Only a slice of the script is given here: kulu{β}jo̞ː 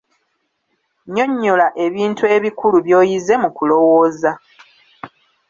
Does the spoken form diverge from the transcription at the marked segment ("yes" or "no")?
no